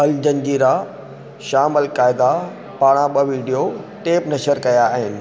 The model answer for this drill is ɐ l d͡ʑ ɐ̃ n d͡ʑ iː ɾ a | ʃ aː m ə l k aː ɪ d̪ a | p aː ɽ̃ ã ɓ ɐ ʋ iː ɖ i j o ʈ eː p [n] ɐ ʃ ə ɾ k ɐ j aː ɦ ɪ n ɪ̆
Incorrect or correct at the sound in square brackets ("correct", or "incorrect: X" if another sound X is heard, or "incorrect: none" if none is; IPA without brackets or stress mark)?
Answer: correct